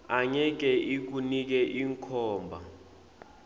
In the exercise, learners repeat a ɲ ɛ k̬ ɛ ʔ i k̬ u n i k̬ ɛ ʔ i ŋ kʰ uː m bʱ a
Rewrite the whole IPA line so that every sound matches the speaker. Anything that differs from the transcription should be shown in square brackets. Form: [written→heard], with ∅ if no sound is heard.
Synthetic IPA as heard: a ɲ ɛ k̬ ɛ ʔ i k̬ u n i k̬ ɛ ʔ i ŋ kʰ [uː→ɔː] m bʱ a